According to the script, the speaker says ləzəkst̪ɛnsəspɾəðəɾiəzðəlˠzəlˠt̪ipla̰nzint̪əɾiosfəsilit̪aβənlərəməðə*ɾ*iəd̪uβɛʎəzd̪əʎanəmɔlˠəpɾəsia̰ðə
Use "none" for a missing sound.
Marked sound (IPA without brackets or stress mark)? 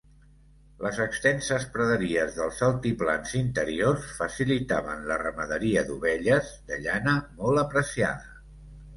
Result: ɾ